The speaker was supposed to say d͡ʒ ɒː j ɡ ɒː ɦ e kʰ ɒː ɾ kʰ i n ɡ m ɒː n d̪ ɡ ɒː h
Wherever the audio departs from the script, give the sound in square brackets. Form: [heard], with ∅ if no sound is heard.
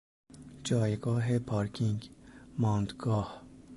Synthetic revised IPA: d͡ʒ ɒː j ɡ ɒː ɦ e [pʰ] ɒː ɾ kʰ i [ŋ] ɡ m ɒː n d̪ ɡ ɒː h